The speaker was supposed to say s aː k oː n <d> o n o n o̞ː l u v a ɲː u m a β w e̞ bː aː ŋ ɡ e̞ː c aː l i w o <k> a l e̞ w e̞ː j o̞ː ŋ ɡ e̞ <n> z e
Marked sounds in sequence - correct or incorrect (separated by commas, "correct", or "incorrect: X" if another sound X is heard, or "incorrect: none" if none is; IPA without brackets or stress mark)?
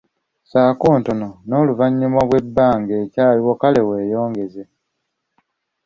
incorrect: t, correct, incorrect: none